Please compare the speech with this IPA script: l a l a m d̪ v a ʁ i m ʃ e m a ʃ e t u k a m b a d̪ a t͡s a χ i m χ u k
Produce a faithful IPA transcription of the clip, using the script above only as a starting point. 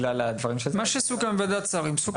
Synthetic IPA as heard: l a l a d̪ v a ʁ i m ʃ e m a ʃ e s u k a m v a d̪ a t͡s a ʁ i m s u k